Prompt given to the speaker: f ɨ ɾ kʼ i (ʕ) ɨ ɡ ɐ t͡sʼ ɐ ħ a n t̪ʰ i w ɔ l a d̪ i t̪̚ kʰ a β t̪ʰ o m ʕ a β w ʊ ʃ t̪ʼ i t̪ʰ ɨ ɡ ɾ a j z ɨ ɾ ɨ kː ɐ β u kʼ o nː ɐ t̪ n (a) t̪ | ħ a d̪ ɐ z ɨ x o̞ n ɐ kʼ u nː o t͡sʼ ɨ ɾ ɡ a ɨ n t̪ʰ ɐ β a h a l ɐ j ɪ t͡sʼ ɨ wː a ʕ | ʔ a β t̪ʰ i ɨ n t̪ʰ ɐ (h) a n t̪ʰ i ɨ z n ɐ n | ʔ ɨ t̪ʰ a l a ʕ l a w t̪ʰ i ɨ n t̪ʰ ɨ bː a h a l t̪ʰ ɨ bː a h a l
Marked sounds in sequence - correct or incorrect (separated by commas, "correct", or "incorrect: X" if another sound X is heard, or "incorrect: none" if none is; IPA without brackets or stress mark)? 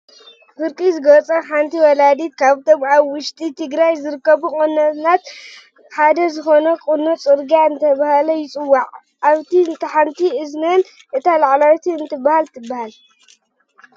incorrect: z, correct, incorrect: ħ